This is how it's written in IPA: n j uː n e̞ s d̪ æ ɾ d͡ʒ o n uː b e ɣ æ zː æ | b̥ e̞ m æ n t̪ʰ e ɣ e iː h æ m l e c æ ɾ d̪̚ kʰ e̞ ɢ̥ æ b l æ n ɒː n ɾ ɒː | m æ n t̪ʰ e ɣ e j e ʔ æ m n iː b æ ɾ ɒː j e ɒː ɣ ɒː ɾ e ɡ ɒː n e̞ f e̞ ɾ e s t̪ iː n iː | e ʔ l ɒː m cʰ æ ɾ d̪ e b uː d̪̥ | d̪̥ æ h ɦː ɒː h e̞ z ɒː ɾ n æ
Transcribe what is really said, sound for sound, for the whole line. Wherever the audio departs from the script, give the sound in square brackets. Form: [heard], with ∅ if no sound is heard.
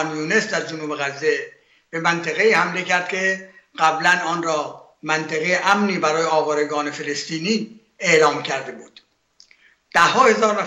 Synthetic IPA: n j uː n e̞ s d̪ æ ɾ d͡ʒ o n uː b e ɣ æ zː [e] | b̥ e̞ m æ n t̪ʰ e ɣ e iː h æ m l e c æ ɾ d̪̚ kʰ e̞ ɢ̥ æ b l æ n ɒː n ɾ ɒː | m æ n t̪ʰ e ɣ e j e ʔ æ m n iː b æ ɾ ɒː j e ɒː [v] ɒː ɾ e ɡ ɒː n e̞ f e̞ [l] e s t̪ iː n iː | e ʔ l ɒː m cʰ æ ɾ d̪ e b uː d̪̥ | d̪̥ æ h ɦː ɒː h e̞ z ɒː ɾ n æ